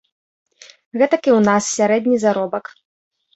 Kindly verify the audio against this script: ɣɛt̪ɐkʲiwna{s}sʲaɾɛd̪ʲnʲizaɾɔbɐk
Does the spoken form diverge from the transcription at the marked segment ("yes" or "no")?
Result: no